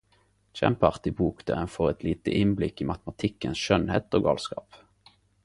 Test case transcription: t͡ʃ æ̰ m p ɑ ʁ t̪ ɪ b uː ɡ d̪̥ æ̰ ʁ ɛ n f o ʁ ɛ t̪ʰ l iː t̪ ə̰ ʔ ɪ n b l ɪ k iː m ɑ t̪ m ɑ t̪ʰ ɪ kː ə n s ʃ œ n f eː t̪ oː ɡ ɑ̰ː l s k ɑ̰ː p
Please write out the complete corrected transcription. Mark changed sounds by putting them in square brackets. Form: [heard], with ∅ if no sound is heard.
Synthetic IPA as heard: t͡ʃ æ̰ m p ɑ ʁ t̪ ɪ b uː [k] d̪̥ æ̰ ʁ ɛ n f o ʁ ɛ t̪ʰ l iː t̪ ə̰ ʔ ɪ n b l ɪ k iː m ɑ t̪ m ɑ t̪ʰ ɪ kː ə n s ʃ œ n [h] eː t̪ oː ɡ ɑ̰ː l s k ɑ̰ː p